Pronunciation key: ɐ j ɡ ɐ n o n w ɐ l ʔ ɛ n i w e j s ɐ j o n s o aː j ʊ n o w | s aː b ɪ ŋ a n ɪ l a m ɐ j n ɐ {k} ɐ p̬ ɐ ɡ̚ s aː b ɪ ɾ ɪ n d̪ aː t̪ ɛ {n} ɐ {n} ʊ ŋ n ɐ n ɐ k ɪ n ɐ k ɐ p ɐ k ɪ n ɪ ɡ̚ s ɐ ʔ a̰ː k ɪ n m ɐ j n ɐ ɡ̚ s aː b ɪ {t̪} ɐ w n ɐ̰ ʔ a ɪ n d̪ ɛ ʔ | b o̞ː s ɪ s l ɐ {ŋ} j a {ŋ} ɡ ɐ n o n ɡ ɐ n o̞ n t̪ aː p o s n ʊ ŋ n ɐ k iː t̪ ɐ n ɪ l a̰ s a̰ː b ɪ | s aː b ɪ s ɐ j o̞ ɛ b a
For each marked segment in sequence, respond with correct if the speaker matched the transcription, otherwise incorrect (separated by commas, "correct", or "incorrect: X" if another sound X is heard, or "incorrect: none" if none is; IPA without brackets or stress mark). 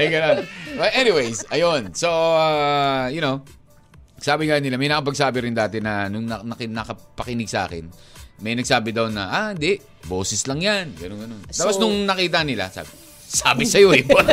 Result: correct, correct, correct, incorrect: d̪, correct, incorrect: n